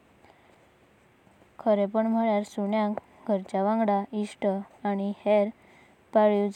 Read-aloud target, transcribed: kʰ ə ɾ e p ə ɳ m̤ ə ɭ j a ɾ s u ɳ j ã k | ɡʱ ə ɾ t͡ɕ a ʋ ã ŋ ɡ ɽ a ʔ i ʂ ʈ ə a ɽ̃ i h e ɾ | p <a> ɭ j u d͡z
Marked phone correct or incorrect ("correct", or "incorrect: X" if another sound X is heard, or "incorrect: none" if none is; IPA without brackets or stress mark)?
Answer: correct